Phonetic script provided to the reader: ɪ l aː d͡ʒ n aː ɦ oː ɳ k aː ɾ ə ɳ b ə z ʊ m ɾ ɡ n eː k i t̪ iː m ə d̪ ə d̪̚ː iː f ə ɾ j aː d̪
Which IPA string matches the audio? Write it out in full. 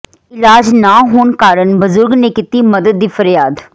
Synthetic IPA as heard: ɪ l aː d͡ʒ n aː ɦ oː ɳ k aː ɾ ə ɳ b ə z ʊ ɾ ɡ n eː k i t̪ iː m ə d̪ ə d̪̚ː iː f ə ɾ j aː d̪